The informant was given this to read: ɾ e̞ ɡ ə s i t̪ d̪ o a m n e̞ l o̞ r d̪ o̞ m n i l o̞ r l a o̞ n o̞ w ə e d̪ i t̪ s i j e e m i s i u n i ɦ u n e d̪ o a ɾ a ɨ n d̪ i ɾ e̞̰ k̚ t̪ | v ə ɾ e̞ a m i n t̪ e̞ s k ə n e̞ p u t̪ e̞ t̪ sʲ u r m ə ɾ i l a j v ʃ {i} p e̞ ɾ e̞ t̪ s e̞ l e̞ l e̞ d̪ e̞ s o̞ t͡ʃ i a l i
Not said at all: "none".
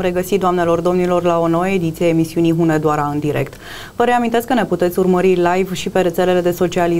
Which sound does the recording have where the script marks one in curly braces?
i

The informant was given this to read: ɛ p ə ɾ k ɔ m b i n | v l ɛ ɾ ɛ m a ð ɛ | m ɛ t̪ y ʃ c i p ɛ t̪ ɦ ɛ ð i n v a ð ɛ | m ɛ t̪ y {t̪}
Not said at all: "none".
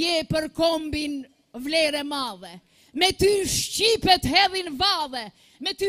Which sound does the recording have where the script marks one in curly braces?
none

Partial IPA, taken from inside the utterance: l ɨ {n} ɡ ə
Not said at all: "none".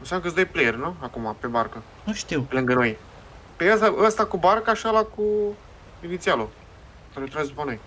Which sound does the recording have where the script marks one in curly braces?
ŋ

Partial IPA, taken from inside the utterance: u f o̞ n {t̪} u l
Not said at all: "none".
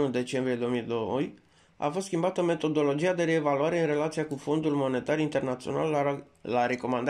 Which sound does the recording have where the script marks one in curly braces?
d̪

